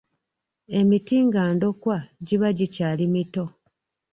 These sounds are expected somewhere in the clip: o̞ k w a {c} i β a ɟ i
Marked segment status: incorrect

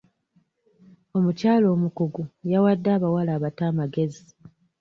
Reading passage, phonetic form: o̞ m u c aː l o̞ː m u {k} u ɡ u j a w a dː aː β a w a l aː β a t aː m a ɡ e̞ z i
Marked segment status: correct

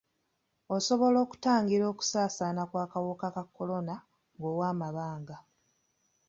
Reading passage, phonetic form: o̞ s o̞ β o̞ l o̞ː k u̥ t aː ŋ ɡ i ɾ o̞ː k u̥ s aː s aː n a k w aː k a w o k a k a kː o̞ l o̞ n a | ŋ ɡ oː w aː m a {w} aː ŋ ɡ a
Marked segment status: incorrect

